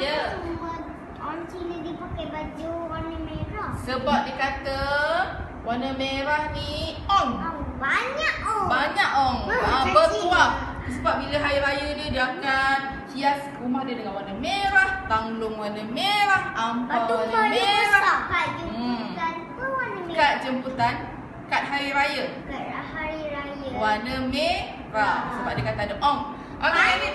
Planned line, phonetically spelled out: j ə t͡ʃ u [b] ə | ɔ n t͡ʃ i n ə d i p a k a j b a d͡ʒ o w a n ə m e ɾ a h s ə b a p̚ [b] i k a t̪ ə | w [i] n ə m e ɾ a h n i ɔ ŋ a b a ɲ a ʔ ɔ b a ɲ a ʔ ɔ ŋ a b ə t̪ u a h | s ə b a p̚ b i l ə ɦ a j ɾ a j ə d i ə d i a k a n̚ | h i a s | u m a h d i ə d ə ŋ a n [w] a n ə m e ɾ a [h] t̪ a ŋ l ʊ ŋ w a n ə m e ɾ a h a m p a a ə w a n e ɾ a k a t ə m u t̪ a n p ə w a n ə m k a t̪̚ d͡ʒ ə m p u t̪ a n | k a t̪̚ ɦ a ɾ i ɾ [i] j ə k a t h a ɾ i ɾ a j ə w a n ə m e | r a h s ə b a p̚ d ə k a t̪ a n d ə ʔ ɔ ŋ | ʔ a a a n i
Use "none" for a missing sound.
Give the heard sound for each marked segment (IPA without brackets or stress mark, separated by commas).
m, d, a, w, h, a